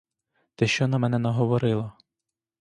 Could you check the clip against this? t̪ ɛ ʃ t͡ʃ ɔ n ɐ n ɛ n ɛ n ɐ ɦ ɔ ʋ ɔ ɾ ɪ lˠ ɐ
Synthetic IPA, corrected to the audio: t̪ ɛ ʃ t͡ʃ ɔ n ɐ m ɛ n ɛ n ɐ ɦ ɔ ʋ ɔ ɾ ɪ lˠ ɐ

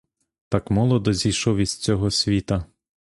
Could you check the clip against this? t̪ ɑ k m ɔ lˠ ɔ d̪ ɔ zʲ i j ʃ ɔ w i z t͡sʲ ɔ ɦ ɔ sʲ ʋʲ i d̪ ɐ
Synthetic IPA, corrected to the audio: t̪ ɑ k m ɔ lˠ ɔ d̪ ɔ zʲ i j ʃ ɔ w i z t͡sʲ ɔ ɦ ɔ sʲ ʋʲ i t̪ ɐ

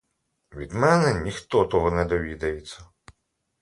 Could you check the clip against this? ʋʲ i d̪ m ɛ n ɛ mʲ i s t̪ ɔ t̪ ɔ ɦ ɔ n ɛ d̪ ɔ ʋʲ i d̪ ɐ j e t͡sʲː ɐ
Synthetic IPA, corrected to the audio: ʋʲ i d̪ m ɛ n ɛ nʲ i x t̪ ɔ t̪ ɔ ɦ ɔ n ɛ d̪ ɔ ʋʲ i d̪ ɐ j e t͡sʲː ɐ

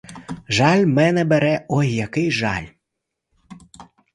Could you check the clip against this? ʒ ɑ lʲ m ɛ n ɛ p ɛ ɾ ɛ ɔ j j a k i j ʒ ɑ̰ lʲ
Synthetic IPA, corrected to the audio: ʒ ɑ lʲ m ɛ n ɛ b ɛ ɾ ɛ ɔ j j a k ɪ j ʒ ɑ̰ lʲ

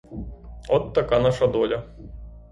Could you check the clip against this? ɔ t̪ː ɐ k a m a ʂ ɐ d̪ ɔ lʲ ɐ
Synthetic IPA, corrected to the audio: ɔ t̪ː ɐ k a n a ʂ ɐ d̪ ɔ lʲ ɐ

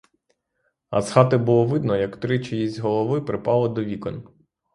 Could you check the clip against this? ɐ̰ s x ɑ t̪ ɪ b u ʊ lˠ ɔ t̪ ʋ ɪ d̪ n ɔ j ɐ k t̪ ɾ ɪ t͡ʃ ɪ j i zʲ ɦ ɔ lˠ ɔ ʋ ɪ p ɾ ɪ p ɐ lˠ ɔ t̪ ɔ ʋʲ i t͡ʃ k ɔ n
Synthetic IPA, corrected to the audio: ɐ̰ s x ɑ t̪ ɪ b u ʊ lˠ ɔ ʋ ɪ d̪ n ɔ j ɐ k t̪ ɾ ɪ t͡ʃ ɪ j i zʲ ɦ ɔ lˠ ɔ ʋ ɪ p ɾ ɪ p ɑ lˠ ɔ d̪ ɔ ʋʲ i k ɔ n

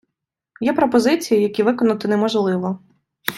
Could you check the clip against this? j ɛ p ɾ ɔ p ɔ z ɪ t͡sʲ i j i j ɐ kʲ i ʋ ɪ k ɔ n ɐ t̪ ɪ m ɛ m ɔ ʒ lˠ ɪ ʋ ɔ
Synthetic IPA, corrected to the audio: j ɛ p ɾ ɔ p ɔ z ɪ t͡sʲ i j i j ɐ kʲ i ʋ ɪ k ɔ n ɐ t̪ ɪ n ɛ m ɔ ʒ lˠ ɪ ʋ ɔ

